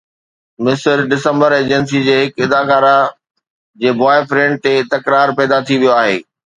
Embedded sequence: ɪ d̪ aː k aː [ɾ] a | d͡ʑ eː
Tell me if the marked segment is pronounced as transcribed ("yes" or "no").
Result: yes